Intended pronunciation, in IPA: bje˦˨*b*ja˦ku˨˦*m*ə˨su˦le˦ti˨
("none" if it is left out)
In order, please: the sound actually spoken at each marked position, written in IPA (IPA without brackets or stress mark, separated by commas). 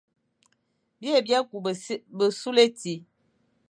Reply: b, b